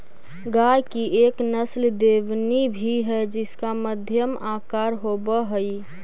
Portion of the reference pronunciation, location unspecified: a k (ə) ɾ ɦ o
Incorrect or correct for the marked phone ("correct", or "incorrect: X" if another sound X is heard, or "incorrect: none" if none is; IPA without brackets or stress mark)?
incorrect: a